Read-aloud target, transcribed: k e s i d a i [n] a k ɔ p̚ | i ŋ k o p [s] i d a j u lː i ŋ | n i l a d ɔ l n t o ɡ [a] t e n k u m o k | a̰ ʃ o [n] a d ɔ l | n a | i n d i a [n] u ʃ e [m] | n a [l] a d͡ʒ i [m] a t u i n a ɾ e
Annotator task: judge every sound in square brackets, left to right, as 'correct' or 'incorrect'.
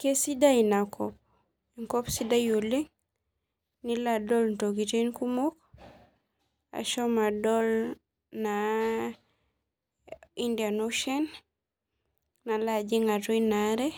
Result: correct, correct, incorrect: i, incorrect: m, correct, incorrect: n, correct, incorrect: ŋ

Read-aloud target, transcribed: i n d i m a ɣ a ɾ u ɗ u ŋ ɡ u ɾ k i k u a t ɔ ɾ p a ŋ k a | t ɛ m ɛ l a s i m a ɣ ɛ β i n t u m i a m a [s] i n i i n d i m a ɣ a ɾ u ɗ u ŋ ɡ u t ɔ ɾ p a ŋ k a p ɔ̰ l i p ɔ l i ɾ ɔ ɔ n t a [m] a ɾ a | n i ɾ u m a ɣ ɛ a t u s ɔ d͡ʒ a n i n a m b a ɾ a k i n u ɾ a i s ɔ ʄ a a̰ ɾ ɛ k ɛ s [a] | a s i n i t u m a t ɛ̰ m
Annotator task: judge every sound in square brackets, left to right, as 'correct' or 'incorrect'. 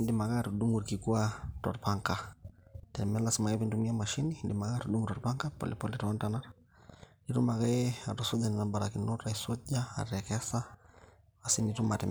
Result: incorrect: ʃ, incorrect: n, correct

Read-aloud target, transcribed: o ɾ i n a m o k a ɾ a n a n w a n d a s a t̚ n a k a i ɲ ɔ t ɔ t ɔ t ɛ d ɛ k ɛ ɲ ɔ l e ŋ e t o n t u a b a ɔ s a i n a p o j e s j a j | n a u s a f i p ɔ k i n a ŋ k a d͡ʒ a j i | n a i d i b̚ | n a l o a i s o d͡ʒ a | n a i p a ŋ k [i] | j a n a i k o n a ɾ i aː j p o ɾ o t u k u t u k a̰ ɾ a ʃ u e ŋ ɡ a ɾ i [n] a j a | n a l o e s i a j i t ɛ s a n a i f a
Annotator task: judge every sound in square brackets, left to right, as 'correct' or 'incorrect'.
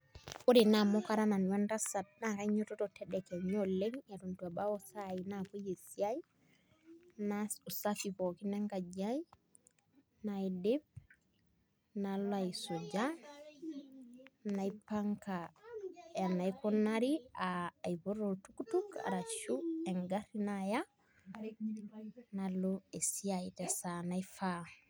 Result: incorrect: a, correct

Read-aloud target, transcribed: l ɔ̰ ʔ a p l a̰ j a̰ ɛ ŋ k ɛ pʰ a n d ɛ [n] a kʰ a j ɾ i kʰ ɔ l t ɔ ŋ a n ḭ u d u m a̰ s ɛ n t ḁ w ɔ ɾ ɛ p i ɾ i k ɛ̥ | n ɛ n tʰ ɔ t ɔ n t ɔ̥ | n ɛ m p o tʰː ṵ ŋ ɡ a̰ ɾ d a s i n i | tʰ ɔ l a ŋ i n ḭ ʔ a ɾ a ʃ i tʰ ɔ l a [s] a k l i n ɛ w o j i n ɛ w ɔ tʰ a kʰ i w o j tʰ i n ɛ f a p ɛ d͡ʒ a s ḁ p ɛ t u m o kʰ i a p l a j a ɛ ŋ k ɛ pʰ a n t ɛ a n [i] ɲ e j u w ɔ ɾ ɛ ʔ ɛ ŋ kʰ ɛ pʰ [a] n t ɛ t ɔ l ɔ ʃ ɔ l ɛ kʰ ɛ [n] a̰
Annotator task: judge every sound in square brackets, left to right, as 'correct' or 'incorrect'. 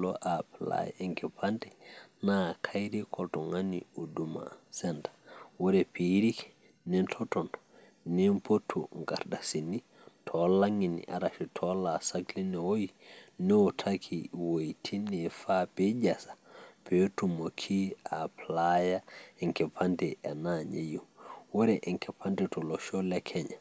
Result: correct, correct, incorrect: a, correct, incorrect: ɲ

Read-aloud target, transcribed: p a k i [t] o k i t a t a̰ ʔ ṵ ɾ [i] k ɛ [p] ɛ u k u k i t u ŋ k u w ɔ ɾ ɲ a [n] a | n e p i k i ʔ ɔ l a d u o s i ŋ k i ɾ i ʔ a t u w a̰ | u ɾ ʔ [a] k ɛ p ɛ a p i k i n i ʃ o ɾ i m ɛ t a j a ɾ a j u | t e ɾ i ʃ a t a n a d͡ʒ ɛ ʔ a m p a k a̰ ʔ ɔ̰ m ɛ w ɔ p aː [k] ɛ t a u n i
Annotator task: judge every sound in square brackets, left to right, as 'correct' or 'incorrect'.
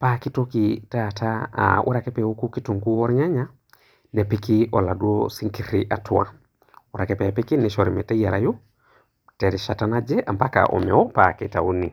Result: correct, incorrect: a, correct, incorrect: ɲ, correct, correct

